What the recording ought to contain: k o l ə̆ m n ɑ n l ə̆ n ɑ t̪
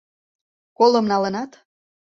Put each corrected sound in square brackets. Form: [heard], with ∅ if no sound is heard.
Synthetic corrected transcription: k o l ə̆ m n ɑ [∅] l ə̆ n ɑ t̪